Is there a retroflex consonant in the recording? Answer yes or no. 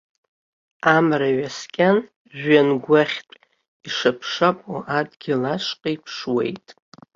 yes